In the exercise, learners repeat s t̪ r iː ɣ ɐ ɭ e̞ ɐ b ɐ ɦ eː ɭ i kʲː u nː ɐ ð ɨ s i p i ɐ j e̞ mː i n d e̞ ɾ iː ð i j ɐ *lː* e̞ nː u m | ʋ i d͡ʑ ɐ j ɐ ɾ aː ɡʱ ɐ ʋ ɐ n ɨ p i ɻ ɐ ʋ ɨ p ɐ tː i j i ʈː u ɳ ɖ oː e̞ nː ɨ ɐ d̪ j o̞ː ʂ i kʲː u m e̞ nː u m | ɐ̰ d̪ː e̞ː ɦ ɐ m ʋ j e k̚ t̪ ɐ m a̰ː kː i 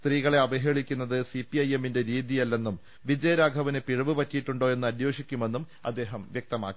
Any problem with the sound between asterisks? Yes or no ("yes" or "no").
no